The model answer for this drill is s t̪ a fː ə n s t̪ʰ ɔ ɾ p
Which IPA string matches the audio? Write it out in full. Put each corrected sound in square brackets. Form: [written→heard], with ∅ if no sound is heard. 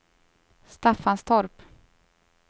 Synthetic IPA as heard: s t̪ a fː [ə→a] n s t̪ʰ ɔ ɾ p